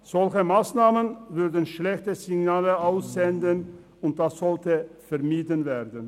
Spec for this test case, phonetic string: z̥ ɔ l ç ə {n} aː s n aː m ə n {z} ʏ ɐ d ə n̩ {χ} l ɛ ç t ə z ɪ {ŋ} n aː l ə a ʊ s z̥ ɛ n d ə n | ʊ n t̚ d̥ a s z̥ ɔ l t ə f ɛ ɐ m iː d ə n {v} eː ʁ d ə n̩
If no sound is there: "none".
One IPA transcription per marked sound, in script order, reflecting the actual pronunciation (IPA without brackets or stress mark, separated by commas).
m, v, ʃ, ɡ, v